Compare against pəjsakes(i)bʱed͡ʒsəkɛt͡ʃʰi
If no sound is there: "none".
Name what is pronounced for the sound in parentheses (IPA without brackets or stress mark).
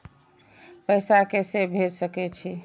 e